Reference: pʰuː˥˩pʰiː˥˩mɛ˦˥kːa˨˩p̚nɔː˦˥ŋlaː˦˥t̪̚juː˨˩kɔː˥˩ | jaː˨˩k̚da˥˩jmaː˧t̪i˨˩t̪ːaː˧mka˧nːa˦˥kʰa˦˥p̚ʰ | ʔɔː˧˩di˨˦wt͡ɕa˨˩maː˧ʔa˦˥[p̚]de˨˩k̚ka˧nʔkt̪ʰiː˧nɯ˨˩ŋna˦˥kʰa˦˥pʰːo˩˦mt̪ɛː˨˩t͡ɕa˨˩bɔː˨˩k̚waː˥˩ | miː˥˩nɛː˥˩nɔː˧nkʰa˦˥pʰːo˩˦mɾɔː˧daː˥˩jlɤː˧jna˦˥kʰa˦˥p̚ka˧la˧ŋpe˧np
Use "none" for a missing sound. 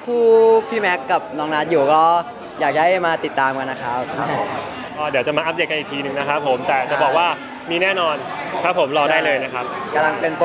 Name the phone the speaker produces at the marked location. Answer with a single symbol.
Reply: p̚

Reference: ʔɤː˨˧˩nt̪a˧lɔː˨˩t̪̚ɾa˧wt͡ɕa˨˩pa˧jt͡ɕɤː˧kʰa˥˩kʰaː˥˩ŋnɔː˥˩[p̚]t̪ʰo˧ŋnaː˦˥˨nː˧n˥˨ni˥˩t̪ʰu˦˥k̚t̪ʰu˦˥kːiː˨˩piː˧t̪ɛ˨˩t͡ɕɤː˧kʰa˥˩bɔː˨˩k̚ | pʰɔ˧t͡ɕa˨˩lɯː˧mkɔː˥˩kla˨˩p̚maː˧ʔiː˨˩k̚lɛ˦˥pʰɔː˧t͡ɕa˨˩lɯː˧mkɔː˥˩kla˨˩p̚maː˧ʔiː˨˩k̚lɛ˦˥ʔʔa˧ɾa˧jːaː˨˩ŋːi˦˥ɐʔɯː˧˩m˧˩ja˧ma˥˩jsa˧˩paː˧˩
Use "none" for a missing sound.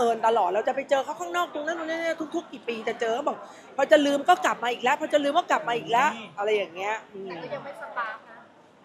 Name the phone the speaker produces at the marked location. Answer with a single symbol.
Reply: k̚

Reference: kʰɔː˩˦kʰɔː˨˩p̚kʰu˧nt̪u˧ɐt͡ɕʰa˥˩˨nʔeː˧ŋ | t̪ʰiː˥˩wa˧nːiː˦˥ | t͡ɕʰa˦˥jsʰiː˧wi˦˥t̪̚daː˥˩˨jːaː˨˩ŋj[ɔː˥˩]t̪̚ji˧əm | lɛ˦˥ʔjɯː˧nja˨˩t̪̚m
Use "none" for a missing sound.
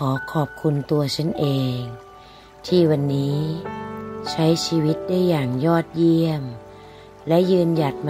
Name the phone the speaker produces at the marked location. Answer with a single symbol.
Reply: ɔː˥˩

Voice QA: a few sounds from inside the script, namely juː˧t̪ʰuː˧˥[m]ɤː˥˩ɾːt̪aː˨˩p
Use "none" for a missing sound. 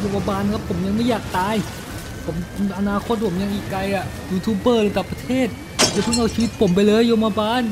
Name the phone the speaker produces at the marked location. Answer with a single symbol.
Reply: b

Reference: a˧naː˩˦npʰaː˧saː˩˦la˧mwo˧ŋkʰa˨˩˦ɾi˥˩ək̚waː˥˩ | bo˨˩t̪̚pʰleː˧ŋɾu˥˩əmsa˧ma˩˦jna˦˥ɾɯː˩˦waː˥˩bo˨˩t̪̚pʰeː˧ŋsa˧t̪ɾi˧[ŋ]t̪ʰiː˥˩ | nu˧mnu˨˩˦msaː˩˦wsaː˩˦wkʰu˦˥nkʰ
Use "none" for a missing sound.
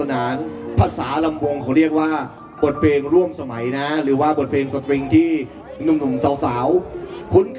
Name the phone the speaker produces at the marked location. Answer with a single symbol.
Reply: ŋ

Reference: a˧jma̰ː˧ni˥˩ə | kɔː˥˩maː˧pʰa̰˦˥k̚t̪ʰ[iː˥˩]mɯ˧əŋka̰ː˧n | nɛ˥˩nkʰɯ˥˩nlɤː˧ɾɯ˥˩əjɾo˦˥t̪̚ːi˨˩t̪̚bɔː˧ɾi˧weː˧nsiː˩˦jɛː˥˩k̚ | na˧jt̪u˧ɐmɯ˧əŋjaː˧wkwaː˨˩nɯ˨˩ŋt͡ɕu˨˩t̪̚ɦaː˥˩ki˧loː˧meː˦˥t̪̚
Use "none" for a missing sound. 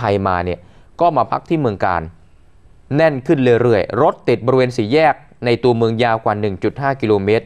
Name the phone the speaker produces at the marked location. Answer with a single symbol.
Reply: iː˥˩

